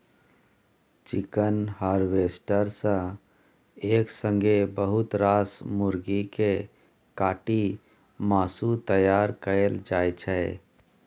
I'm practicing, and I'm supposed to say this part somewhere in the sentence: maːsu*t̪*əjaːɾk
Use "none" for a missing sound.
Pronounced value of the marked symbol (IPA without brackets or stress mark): t̪